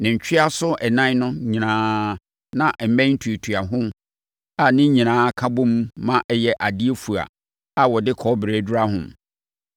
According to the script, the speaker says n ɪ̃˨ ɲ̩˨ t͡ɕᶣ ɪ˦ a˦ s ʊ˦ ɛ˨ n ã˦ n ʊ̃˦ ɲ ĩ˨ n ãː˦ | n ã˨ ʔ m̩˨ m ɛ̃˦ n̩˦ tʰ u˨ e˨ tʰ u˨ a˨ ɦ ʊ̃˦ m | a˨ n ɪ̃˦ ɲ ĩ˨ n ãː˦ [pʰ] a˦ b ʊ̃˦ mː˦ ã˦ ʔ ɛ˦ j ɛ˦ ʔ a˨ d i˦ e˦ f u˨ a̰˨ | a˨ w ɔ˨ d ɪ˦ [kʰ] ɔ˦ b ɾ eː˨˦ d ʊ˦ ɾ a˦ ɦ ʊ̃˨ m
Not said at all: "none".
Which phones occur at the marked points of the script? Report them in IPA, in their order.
kʰ, kʰ

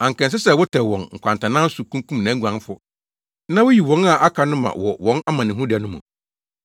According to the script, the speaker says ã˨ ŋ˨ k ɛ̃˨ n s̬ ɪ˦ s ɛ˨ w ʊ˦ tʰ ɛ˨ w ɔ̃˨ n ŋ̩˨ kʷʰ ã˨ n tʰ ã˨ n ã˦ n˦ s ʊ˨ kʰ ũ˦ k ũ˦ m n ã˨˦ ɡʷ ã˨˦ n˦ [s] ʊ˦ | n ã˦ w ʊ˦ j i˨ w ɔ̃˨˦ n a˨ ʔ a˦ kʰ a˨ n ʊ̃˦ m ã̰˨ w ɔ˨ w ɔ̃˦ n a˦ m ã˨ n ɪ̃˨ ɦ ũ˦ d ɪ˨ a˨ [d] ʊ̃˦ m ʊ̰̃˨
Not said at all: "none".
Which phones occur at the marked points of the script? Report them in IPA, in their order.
f, n

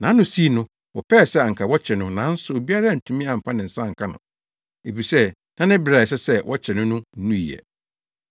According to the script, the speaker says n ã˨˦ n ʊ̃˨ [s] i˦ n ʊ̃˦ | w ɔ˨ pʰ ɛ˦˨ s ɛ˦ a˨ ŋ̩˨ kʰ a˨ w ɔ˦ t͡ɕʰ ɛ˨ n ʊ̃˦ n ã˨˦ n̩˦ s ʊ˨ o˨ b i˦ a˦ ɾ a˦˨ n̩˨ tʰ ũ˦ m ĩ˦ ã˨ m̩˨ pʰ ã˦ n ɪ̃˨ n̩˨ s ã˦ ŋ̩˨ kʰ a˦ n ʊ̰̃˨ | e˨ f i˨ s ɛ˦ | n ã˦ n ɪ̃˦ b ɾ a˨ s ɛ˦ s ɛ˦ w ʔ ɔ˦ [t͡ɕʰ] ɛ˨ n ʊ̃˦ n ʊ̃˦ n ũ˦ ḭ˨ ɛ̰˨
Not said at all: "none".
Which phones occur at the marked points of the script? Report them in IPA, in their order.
s, t͡ɕʰ

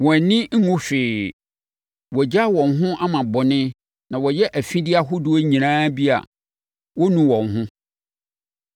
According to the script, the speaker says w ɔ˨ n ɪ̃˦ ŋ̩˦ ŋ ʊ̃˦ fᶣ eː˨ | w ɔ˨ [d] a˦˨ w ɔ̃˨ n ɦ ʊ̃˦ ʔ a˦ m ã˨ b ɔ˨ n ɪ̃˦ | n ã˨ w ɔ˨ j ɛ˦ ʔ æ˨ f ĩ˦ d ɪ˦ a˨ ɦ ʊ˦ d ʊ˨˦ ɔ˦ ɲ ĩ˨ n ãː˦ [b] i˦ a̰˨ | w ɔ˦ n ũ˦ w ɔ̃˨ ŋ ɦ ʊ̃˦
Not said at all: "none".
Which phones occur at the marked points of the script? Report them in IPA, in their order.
d͡ʑ, b

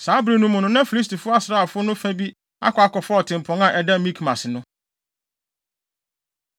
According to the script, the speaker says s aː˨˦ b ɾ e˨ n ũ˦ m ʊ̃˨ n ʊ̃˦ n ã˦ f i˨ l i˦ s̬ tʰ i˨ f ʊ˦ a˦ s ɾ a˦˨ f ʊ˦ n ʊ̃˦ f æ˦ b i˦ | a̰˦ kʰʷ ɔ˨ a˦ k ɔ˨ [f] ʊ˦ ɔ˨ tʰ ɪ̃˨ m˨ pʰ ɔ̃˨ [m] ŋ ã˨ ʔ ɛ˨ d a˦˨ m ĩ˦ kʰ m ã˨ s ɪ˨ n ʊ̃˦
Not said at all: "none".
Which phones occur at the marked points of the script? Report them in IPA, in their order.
f, none

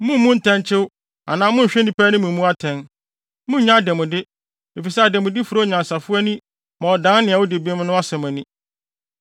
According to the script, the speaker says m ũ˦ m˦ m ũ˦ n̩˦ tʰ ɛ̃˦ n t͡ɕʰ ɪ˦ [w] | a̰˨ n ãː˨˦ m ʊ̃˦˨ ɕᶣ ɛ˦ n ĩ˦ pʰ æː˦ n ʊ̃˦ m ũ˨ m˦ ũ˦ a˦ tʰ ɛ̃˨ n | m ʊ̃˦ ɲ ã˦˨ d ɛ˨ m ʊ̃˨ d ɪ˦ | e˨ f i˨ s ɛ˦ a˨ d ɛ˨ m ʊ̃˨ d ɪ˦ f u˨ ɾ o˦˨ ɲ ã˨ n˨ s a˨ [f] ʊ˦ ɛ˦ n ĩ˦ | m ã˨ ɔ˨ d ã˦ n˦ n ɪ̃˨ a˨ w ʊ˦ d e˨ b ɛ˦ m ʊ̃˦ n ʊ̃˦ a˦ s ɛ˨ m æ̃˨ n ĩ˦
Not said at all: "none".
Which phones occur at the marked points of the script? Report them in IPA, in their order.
w, f

